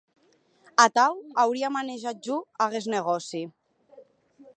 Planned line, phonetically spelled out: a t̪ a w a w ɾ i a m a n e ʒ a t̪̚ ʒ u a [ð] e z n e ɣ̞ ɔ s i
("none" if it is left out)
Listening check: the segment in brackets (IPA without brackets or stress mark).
ɣ